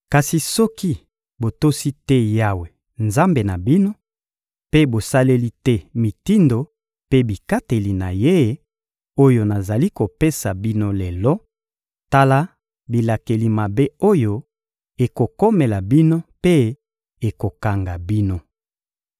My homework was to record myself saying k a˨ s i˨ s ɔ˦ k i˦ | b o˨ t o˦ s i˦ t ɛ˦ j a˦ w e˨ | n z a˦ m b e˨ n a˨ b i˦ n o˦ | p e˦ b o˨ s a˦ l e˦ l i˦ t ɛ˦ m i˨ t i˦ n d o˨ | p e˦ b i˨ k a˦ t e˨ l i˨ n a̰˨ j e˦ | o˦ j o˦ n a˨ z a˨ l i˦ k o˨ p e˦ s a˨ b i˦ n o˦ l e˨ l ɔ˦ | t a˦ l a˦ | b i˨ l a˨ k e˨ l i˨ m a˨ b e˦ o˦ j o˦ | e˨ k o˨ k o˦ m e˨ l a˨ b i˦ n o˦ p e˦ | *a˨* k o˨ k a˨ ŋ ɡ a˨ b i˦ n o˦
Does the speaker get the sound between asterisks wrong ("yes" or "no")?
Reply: yes